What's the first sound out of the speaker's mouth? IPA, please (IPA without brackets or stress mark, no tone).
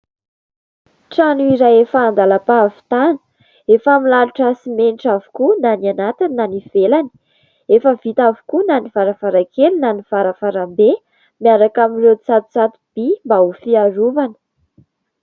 ʈ͡ʂ